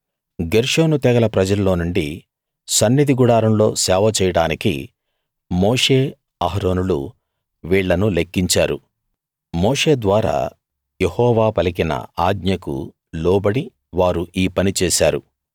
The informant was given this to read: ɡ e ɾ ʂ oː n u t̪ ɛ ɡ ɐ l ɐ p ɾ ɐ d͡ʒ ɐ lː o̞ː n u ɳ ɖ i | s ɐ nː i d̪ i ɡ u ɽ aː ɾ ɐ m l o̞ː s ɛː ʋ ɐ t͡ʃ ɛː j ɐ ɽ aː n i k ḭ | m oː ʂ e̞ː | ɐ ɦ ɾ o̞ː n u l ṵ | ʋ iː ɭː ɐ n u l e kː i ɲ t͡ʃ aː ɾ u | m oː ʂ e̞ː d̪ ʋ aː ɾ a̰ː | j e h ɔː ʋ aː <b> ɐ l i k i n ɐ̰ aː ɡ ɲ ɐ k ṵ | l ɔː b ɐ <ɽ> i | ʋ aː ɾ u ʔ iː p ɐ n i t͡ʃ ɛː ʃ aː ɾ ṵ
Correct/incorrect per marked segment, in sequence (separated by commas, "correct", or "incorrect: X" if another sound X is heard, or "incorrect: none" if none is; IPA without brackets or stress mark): incorrect: p, correct